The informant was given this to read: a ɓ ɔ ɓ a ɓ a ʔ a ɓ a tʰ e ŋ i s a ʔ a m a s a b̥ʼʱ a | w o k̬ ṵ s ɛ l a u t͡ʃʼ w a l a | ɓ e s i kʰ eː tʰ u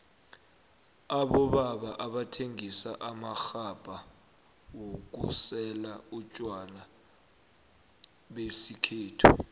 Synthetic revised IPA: a ɓ ɔ ɓ a ɓ a ʔ a ɓ a tʰ e ŋ i s a ʔ a m a x a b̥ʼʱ a | w o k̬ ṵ s ɛ l a u t͡ʃʼ w a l a | ɓ e s i kʰ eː tʰ u